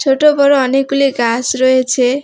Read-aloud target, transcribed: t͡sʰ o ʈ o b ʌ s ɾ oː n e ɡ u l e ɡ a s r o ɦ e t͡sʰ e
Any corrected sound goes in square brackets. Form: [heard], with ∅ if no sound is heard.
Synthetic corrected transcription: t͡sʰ o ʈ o b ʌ [∅] ɾ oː n e [k] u l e ɡ a s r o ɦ e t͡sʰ e